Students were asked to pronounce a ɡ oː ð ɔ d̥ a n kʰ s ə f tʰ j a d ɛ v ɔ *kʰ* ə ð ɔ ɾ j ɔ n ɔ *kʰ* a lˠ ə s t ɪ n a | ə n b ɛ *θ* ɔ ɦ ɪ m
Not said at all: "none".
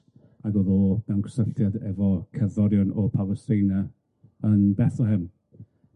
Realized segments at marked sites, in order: kʰ, pʰ, θ

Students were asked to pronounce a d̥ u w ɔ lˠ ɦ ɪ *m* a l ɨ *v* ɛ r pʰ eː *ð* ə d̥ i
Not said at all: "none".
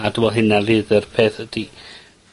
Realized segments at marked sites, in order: n, ð, θ

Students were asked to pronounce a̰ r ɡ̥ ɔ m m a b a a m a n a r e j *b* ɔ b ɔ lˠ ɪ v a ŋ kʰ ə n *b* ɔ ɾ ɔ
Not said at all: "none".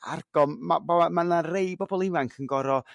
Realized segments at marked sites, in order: b, ɡ

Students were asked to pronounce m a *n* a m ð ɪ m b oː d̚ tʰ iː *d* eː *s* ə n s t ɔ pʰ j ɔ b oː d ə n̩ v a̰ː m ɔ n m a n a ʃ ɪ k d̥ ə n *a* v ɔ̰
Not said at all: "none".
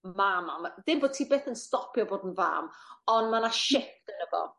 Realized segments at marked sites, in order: m, b, θ, ə

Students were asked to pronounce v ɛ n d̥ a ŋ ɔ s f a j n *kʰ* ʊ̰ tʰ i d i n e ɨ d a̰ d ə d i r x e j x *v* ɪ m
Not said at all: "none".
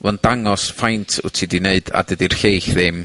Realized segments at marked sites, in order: tʰ, ð

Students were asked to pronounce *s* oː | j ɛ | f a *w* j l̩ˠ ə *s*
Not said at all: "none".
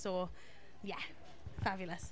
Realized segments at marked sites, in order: s, b, s

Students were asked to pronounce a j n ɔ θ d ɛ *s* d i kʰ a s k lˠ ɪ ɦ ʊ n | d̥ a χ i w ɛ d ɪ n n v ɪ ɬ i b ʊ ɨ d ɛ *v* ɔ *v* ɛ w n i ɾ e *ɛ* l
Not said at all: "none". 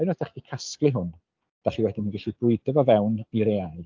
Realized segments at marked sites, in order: χ, v, v, a

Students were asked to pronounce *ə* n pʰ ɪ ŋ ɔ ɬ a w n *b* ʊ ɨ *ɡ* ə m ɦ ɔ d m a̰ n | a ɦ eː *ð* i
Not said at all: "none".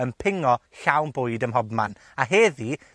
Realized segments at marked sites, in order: ə, b, d, ð

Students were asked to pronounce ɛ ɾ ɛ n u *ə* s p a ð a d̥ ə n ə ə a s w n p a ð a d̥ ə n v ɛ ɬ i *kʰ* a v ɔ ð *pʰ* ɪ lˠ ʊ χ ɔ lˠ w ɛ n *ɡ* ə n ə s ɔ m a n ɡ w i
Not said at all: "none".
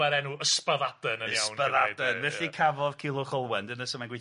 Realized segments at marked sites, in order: ə, kʰ, kʰ, d

